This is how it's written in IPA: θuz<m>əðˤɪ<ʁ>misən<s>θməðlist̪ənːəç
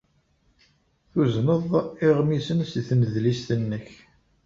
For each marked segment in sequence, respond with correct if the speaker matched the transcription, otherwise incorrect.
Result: incorrect: n, correct, correct

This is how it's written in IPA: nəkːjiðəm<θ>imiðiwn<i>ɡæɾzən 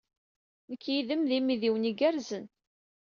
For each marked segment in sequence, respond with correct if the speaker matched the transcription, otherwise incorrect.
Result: incorrect: ð, correct

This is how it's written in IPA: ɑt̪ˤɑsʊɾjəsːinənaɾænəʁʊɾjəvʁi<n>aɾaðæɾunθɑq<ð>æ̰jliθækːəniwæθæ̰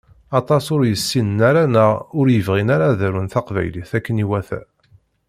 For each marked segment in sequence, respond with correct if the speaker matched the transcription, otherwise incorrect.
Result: correct, incorrect: v

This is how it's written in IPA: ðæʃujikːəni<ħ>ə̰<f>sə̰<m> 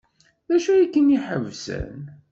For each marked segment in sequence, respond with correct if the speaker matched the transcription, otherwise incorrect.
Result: correct, incorrect: v, incorrect: n

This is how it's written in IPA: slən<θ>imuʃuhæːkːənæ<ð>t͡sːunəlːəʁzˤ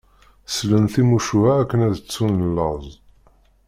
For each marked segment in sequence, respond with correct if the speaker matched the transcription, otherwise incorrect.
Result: correct, correct

